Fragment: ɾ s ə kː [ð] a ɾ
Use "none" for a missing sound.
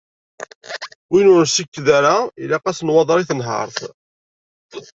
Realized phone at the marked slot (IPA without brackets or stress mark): ð